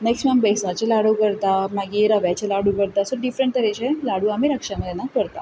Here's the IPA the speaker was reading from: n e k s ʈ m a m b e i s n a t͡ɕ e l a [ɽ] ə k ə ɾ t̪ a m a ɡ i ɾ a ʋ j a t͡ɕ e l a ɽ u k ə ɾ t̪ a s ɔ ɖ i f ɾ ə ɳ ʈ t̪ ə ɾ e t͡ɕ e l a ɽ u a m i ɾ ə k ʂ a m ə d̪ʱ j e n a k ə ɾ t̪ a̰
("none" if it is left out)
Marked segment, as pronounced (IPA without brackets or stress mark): ɽ